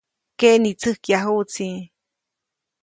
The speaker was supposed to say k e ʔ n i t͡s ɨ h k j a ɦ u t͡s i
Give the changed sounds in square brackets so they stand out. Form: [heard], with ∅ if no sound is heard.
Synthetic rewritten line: k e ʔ n i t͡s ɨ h k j a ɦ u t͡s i

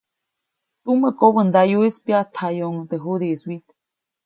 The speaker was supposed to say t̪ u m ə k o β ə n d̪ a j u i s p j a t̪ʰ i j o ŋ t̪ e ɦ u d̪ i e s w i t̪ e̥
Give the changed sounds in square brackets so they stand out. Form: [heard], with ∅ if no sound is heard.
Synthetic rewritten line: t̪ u m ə k o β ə n d̪ a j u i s p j a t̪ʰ [a] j o ŋ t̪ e ɦ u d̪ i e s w i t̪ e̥

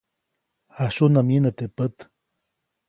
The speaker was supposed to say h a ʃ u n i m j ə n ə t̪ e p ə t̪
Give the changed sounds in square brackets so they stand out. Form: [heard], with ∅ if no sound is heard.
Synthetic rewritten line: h a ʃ u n [a] m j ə n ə t̪ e p ə t̪

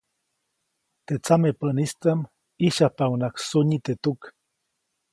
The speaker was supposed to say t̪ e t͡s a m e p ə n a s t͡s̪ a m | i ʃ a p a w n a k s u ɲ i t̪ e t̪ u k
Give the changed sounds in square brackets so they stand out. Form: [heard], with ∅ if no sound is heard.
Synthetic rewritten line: t̪ e t͡s a m e p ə n [i] s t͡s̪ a m | i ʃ a p a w n a k s u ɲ i t̪ e t̪ u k

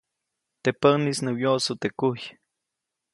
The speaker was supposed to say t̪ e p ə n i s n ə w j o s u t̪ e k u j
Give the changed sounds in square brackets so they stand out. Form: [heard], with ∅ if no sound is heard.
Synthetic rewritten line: t̪ e p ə n i s n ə w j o s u t̪ e k u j

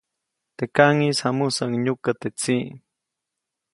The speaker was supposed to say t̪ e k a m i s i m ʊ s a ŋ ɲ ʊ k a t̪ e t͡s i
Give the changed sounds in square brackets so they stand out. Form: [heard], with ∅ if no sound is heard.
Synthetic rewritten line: t̪ e k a [ŋ] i s [a] m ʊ s a ŋ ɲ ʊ k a t̪ e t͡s i

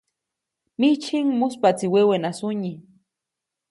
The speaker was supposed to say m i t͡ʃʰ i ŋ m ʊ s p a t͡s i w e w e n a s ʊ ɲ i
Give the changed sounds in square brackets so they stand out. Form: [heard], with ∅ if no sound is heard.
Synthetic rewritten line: m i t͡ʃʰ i ŋ m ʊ s p a t͡s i w e w e n a s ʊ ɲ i

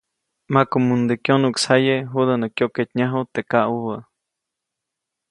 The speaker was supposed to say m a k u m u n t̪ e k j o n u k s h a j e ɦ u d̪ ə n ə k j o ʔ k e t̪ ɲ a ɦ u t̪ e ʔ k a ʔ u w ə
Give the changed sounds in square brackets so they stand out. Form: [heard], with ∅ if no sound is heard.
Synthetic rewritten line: m a k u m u n [d̪] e k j o n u k s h a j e ɦ u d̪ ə n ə k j o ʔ k e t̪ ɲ a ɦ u t̪ e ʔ k a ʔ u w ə

